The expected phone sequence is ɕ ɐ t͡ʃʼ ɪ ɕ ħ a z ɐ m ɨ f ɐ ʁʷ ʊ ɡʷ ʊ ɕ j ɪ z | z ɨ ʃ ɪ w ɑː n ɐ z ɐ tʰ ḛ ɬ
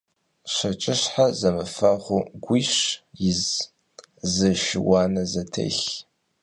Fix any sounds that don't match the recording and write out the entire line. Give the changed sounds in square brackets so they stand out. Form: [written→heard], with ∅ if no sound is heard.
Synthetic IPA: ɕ ɐ t͡ʃʼ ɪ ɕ ħ a z ɐ m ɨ f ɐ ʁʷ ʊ ɡʷ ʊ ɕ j ɪ z | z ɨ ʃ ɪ w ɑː n ɐ z ɐ tʰ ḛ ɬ